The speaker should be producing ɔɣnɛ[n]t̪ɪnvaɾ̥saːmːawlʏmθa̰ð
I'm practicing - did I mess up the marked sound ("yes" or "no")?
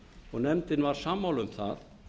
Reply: yes